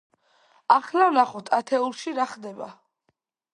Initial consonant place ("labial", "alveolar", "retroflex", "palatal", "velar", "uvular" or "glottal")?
uvular